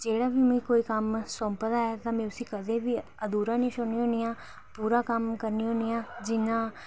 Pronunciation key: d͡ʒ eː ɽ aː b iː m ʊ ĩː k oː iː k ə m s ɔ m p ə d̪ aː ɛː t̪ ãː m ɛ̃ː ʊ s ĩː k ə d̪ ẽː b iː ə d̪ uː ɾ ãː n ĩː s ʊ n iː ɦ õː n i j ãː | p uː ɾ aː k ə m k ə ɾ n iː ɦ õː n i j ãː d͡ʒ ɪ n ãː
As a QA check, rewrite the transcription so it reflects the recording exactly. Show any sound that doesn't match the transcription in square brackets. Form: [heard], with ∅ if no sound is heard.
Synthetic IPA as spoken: d͡ʒ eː ɽ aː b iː m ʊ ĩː k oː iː k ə m s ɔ m p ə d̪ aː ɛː t̪ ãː m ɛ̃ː ʊ s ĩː k ə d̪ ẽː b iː ə d̪ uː ɾ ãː n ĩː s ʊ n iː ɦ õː n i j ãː | p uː ɾ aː k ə m k ə ɾ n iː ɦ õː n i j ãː d͡ʒ ɪ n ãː